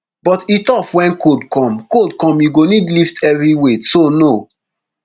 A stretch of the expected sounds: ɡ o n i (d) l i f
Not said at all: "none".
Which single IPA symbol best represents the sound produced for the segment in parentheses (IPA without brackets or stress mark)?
d